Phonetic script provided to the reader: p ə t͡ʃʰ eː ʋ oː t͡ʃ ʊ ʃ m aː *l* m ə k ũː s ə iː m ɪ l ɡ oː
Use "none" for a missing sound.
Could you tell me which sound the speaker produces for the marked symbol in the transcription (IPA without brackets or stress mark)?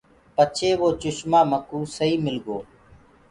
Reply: none